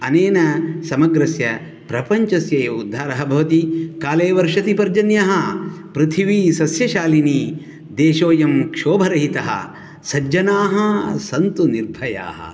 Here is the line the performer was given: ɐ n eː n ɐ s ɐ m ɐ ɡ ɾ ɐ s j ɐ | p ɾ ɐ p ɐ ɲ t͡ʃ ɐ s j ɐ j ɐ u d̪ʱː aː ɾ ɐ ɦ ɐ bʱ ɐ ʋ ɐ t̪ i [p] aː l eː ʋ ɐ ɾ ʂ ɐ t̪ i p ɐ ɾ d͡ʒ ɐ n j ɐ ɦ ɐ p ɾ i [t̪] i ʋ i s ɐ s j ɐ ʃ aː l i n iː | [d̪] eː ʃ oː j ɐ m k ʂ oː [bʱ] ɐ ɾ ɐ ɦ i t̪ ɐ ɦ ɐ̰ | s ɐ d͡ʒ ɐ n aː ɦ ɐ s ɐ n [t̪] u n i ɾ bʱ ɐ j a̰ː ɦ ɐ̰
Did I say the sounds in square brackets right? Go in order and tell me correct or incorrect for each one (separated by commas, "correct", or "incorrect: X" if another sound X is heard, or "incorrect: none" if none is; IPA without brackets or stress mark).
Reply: incorrect: k, incorrect: t̪ʰ, correct, correct, correct